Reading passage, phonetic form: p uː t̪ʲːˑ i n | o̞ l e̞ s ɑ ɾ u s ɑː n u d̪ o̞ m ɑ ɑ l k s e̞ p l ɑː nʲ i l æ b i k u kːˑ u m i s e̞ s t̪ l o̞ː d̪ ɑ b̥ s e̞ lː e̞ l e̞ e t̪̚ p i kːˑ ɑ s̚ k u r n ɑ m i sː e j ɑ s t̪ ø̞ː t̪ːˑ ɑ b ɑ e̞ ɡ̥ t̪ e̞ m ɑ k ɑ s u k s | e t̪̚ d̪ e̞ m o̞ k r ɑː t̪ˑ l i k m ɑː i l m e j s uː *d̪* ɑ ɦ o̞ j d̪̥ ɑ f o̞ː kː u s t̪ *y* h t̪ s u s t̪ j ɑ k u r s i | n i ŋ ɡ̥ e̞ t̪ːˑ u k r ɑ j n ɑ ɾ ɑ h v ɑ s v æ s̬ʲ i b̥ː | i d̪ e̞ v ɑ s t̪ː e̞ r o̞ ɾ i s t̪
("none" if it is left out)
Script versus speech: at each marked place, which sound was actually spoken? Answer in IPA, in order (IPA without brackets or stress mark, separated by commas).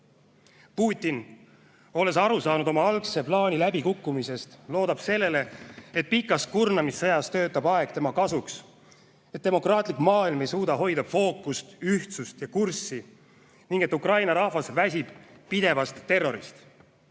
d̪, y